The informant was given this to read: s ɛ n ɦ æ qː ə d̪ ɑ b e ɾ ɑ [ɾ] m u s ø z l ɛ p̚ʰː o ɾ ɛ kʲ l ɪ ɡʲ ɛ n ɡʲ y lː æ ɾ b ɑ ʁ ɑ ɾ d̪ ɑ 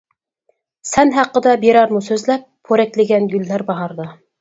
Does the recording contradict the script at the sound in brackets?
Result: no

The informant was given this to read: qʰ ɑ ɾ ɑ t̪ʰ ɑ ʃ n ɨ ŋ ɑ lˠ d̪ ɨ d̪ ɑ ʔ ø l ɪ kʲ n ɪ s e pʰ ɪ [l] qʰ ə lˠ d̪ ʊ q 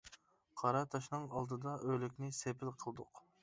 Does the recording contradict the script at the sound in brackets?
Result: no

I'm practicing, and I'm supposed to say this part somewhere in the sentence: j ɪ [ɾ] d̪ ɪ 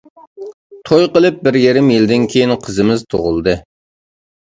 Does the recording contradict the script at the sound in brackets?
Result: yes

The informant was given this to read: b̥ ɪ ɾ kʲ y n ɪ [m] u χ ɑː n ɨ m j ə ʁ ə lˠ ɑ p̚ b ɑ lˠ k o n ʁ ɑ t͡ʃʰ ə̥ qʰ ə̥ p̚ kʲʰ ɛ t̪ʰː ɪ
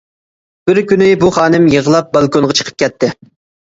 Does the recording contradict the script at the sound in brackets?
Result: yes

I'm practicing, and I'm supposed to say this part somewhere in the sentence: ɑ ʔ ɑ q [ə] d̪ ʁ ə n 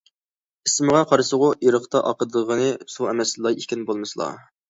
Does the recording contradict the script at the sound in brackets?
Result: no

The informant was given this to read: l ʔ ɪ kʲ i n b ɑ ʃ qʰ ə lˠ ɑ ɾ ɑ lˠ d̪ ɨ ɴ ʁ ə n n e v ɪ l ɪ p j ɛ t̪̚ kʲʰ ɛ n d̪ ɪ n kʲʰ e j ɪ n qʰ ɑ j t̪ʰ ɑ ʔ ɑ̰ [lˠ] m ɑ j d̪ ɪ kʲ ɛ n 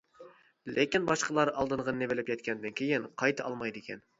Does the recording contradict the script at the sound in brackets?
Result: no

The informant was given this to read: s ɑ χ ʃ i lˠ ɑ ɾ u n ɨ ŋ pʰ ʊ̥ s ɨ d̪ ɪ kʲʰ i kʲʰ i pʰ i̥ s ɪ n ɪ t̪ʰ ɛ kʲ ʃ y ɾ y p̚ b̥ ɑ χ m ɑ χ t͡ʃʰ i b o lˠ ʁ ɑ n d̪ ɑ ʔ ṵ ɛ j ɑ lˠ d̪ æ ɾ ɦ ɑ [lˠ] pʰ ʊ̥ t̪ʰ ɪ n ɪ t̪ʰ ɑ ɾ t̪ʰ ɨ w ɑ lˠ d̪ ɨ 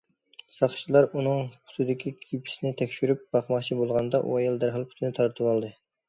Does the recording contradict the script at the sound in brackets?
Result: no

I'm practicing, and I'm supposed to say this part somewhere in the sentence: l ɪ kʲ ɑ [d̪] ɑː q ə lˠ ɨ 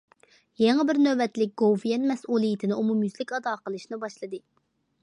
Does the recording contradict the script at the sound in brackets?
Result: no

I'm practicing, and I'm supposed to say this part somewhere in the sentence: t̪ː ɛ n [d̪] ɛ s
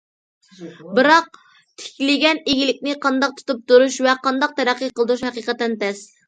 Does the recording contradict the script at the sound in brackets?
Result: yes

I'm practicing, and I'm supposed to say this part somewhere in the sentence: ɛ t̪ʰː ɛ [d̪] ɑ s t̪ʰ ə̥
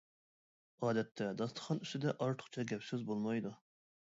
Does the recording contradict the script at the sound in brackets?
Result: no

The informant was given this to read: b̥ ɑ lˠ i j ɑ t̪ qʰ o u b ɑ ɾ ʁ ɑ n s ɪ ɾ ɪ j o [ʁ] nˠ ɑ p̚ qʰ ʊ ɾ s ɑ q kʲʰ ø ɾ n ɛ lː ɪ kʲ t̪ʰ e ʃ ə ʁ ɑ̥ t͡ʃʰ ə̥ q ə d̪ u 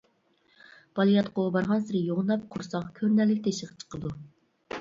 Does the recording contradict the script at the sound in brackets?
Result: no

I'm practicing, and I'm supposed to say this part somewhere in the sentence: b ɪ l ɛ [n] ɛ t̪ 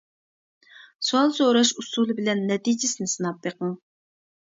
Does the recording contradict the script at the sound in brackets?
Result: yes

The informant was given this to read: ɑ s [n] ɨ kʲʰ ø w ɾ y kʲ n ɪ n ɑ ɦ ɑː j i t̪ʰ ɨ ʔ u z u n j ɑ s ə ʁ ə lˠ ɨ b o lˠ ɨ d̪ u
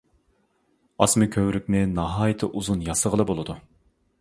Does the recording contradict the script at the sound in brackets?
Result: yes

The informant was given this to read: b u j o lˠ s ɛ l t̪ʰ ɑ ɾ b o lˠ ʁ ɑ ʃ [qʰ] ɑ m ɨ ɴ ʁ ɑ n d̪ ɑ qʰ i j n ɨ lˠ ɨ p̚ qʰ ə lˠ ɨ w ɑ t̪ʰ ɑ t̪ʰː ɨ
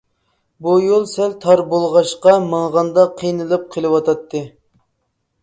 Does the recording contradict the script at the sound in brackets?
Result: yes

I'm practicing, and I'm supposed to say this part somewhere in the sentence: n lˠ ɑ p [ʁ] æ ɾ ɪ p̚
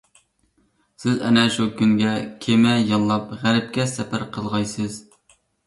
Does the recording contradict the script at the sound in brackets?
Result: no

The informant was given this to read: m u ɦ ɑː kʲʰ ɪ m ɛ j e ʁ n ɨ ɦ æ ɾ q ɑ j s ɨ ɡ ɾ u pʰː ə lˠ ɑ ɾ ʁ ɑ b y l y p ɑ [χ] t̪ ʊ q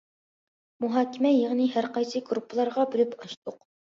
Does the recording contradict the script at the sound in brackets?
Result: yes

